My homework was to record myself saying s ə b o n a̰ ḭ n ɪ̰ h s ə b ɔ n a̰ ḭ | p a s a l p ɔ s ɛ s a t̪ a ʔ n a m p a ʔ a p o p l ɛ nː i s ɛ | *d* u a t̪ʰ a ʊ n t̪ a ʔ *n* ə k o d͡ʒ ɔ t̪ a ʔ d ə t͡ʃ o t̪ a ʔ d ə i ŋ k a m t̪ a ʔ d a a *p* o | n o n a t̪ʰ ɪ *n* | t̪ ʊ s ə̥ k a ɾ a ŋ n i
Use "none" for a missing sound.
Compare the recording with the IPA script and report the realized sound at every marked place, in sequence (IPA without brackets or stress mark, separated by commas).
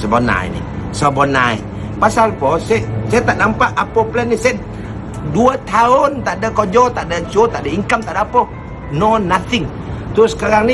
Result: d, d, p, ŋ